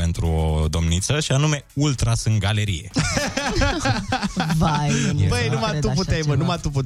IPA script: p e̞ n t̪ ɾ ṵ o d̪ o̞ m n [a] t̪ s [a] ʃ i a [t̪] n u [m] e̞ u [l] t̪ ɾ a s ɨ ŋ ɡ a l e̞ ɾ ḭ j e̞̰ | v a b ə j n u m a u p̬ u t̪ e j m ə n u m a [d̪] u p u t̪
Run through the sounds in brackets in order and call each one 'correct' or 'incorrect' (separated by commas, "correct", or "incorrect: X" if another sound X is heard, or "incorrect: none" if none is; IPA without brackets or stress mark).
incorrect: i, incorrect: ə, incorrect: none, correct, correct, incorrect: t̪